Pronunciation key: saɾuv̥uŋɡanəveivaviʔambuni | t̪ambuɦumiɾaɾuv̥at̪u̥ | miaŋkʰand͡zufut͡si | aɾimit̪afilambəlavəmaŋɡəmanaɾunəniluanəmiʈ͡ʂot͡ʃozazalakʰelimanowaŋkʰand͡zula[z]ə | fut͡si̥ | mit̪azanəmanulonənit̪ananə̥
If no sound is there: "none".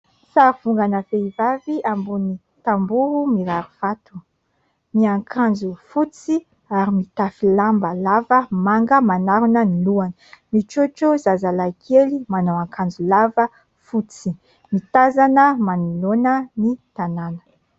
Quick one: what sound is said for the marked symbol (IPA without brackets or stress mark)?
v